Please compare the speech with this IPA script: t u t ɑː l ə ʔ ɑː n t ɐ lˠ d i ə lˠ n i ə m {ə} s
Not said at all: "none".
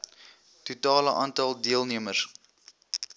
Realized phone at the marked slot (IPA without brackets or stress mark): ə